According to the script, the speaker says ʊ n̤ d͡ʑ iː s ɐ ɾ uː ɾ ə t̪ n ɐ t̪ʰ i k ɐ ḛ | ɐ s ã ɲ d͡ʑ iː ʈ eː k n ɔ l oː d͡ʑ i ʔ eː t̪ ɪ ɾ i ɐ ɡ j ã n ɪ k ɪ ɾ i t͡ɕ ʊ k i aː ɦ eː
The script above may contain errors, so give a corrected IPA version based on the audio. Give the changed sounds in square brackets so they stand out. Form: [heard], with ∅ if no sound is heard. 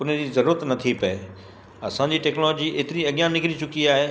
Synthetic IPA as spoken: ʊ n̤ d͡ʑ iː [z] ɐ ɾ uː ɾ ə t̪ n ɐ t̪ʰ i [p] ɐ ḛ | ɐ s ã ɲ d͡ʑ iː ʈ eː k n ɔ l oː d͡ʑ i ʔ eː t̪ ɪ ɾ i ɐ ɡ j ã n ɪ k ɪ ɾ i t͡ɕ ʊ k i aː ɦ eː